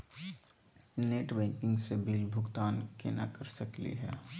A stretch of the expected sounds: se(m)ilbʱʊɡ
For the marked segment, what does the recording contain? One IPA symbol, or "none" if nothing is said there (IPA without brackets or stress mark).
b